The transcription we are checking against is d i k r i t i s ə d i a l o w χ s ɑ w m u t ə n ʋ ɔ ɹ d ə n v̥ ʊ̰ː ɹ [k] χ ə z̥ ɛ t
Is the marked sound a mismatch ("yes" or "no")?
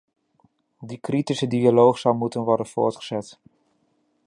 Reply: yes